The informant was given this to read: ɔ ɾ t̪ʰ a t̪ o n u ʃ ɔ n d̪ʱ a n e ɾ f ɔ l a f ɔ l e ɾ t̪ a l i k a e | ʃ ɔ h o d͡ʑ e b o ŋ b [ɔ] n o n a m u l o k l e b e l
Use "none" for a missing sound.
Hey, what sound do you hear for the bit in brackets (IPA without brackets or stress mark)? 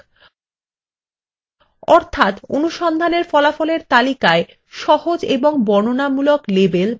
ɔ